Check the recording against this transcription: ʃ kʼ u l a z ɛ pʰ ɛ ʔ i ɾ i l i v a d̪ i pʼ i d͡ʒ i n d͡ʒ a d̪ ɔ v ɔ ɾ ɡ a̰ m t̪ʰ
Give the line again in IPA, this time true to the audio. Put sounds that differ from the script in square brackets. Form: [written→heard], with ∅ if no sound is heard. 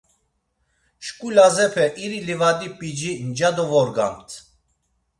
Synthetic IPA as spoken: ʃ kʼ u l a z ɛ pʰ ɛ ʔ i ɾ i l i v a d̪ i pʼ i d͡ʒ i n d͡ʒ a d̪ ɔ v ɔ ɾ ɡ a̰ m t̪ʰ

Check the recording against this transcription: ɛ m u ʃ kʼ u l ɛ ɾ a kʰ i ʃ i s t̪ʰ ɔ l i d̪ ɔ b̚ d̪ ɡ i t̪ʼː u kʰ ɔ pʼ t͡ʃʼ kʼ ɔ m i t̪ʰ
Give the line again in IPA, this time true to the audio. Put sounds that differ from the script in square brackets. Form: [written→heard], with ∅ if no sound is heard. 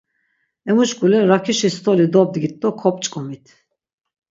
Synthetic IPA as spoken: ɛ m u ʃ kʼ u l ɛ ɾ a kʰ i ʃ i s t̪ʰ ɔ l i d̪ ɔ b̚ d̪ ɡ i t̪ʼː [u→ɔ] kʰ ɔ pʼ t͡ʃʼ kʼ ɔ m i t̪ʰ

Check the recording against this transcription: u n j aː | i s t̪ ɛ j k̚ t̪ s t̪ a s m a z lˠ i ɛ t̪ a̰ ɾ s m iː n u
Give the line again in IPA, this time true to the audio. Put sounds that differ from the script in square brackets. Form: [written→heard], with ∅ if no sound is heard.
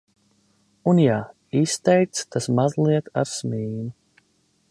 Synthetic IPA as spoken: u n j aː | i s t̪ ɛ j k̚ t̪ s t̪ a s m a z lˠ i ɛ t̪ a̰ ɾ s m iː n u

